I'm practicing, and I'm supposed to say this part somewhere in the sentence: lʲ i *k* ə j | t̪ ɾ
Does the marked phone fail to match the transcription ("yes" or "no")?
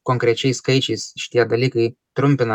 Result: no